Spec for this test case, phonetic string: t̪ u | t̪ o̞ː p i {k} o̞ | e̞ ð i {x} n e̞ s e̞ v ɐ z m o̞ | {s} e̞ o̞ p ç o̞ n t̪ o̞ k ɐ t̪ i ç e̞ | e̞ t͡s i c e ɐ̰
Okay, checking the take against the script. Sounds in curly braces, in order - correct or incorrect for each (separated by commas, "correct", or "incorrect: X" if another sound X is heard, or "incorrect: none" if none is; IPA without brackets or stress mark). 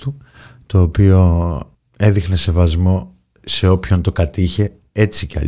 incorrect: none, correct, correct